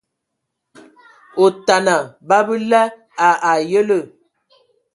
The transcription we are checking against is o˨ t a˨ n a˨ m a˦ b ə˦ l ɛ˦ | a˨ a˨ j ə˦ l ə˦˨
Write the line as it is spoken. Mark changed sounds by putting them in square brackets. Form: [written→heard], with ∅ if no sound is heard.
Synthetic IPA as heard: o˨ t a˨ n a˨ [m→b] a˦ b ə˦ l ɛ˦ | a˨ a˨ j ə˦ l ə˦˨